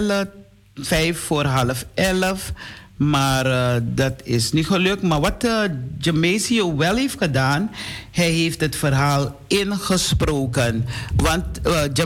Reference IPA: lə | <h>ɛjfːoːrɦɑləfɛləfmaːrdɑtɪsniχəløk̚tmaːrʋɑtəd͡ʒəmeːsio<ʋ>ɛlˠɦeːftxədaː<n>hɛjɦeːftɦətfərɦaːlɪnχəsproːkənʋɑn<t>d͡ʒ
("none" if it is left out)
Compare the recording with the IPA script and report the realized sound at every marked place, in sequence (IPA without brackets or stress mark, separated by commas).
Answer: f, ʋ, n, t